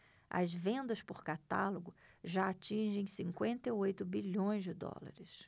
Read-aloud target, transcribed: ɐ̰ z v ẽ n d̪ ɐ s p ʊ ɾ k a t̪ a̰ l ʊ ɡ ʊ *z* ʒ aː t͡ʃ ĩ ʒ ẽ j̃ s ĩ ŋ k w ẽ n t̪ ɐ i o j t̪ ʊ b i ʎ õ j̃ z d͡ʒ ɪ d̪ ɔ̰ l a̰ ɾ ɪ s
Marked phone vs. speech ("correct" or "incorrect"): incorrect